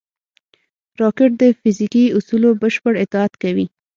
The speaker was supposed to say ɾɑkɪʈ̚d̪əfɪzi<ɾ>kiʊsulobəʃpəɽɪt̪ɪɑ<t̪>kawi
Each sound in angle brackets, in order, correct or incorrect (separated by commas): incorrect, correct